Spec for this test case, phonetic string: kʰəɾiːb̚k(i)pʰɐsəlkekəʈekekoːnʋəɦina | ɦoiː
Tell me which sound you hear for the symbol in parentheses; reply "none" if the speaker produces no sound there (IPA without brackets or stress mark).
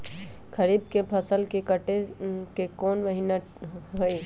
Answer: e